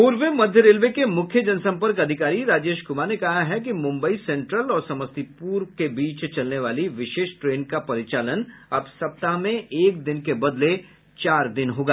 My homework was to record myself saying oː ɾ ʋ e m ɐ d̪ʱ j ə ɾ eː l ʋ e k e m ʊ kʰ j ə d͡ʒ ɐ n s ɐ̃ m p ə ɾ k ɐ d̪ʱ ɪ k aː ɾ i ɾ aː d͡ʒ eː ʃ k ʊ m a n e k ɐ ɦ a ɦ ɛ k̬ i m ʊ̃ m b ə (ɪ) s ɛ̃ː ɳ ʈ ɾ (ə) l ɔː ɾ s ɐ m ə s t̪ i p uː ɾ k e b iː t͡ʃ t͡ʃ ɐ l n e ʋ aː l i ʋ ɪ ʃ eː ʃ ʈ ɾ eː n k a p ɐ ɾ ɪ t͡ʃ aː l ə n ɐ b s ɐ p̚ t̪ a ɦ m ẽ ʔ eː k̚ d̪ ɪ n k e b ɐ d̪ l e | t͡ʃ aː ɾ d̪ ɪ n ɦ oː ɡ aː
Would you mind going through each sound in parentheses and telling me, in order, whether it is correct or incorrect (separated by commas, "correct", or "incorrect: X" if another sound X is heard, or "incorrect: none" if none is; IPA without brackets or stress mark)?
incorrect: i, correct